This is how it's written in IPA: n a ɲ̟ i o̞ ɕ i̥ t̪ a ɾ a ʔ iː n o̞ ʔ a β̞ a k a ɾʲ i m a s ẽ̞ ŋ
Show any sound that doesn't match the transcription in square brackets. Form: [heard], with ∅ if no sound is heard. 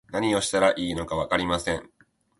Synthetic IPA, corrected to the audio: n a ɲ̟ i o̞ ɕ i̥ t̪ a ɾ a ʔ iː n o̞ [k] a β̞ a k a ɾʲ i m a s ẽ̞ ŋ